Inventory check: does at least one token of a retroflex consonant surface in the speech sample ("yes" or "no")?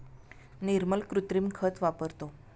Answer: no